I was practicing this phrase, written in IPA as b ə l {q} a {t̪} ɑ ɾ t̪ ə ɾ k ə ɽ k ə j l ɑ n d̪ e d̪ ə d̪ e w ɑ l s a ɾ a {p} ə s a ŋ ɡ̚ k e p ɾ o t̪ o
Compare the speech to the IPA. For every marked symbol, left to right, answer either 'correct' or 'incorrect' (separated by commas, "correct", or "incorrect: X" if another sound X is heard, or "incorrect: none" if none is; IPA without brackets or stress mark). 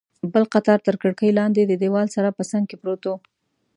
correct, correct, correct